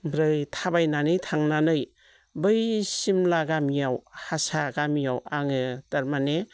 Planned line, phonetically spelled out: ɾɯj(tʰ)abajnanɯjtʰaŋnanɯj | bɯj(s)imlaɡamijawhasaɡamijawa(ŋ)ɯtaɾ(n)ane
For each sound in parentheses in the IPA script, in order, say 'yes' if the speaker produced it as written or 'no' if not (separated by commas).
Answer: yes, yes, yes, no